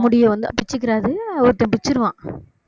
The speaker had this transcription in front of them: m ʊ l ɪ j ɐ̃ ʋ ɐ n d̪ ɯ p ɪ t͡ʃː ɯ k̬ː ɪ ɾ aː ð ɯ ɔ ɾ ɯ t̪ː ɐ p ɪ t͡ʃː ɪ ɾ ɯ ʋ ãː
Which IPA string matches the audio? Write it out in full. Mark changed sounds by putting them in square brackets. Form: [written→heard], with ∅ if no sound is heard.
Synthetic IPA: m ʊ [l→ɽ] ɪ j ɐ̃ ʋ ɐ n d̪ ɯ p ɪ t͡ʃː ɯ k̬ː ɪ ɾ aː ð ɯ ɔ ɾ ɯ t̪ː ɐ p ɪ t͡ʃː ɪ ɾ ɯ ʋ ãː